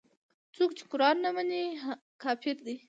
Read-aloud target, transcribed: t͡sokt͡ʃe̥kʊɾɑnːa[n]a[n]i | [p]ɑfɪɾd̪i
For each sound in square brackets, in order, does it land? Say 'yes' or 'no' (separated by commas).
no, yes, no